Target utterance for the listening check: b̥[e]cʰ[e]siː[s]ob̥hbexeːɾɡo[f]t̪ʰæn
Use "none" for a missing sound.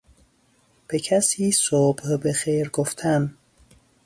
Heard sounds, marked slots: e, æ, s, f

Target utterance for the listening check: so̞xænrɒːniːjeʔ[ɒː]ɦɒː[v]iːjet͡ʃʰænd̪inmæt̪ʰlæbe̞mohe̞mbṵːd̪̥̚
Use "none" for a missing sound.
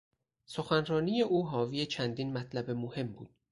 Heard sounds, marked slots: uː, v

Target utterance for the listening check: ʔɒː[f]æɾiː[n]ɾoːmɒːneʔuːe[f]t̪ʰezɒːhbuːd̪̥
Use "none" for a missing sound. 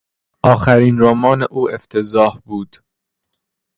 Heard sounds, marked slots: x, n, f

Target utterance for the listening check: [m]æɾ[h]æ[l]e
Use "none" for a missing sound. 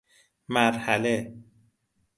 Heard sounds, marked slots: m, h, l

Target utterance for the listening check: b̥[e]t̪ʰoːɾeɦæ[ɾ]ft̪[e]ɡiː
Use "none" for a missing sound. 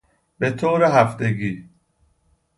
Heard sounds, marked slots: e, none, e

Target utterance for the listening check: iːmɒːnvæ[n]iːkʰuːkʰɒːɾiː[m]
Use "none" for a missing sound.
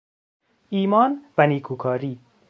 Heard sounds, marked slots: n, none

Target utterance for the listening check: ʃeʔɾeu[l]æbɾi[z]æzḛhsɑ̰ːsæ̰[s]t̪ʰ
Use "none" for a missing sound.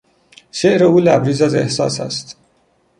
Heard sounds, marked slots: l, z, s

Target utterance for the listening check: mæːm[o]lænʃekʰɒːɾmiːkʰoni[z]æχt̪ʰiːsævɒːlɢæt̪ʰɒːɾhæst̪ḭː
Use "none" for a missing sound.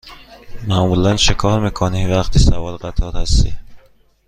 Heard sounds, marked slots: u, v

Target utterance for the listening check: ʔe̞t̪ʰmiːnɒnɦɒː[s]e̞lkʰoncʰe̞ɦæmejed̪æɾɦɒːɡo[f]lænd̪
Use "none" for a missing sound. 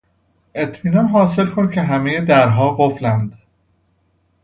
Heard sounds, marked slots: s, f

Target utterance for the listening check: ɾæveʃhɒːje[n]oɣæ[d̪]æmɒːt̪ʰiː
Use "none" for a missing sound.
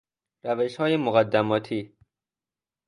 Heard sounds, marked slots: m, d̪ː

